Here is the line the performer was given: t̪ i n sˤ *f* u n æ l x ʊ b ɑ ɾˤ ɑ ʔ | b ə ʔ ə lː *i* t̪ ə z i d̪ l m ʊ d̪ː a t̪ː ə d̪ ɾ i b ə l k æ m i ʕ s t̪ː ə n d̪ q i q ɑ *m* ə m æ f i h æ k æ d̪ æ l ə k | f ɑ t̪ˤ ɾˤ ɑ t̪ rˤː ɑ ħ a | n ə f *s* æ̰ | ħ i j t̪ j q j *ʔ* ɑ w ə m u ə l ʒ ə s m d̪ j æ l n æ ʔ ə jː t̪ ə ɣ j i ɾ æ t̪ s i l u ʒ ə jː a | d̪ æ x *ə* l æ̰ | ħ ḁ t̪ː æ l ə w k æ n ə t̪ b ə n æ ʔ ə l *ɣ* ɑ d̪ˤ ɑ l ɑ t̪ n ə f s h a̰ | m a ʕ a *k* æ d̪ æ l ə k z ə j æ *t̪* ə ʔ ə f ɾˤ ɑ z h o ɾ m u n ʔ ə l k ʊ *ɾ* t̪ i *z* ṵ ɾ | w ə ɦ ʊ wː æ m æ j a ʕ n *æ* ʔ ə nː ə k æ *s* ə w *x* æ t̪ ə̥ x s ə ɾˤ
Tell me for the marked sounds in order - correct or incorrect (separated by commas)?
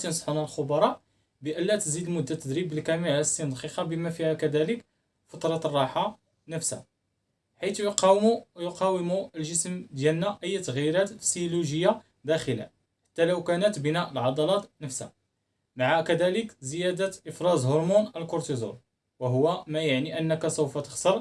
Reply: incorrect, incorrect, incorrect, correct, incorrect, correct, incorrect, correct, incorrect, correct, correct, incorrect, correct, incorrect